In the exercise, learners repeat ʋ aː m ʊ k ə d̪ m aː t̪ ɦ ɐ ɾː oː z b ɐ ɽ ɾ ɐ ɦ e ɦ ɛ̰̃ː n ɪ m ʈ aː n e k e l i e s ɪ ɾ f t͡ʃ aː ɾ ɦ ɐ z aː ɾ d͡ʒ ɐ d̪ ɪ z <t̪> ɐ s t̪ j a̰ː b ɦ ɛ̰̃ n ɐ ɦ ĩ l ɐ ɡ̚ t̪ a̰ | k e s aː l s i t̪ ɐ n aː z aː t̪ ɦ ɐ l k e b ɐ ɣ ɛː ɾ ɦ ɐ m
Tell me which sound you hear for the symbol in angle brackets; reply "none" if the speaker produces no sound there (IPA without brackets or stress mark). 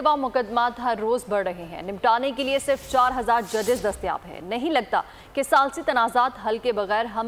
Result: d̪